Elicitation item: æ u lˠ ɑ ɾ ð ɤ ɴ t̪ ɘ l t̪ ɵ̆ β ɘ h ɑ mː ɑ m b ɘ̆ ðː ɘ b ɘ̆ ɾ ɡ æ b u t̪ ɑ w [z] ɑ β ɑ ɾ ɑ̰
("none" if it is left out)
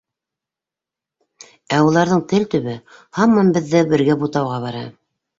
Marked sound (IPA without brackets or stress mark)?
ʁ